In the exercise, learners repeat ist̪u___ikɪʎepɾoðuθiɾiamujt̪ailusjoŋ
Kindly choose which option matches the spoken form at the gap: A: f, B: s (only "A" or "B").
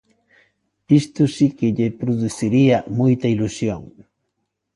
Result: B